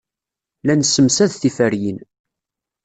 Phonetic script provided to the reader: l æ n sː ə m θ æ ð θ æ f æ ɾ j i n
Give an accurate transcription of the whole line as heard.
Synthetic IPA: l æ n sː ə m s æ ð θ i f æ ɾ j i n

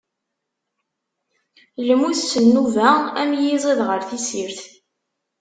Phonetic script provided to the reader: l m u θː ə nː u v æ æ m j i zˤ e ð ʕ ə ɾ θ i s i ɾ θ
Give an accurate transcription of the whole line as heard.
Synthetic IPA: l m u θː ə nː u v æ æ m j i zˤ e ð ʁ ə ɾ θ i s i ɾ θ

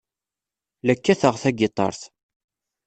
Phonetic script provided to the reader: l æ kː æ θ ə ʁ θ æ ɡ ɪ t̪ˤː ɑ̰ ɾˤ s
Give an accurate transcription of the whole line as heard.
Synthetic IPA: l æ kː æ θ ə ʁ θ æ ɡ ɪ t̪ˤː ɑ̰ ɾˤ θ

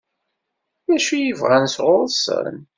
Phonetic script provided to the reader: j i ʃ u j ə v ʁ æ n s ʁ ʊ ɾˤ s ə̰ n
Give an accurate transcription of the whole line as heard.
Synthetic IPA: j æ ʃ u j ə v ʁ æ n s ʁ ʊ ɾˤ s ə̰ n

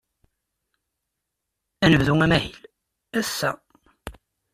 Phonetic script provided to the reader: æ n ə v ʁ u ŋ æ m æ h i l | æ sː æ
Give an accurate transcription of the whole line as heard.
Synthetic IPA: æ n ə v ð u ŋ æ m æ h i l | æ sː æ

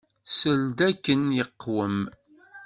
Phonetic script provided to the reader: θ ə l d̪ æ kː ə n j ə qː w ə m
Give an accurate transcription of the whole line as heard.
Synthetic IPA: s ə l d̪ æ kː ə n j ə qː w ə m

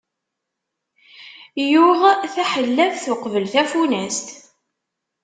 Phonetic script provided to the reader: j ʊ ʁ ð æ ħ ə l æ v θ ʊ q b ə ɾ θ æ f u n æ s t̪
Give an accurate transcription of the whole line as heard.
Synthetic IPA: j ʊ ʁ θ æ ħ ə lː æ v θ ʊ q v ə l θ æ f u n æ s t̪

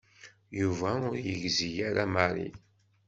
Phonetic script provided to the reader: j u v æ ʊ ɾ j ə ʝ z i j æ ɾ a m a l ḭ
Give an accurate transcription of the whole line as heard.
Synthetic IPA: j u v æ ʊ ɾ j ə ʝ z i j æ ɾ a m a ɾ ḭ

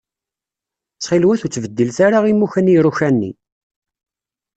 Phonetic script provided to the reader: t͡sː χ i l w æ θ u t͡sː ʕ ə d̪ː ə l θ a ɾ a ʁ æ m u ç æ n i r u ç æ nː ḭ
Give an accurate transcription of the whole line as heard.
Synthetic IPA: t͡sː χ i l w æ θ u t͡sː v ə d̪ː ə l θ a ɾ a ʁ i m u ç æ n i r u ç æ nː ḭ

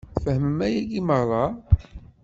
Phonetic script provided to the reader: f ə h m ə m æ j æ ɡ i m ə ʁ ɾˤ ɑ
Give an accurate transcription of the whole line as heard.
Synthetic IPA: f ə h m ə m æ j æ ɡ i m ə ʁ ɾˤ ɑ

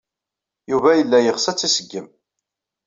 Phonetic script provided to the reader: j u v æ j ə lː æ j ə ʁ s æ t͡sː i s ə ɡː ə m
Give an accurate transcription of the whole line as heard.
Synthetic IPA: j u v æ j ə lː æ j ə ʁ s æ t͡sː i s ə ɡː ə m

